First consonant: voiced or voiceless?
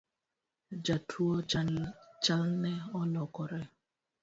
voiced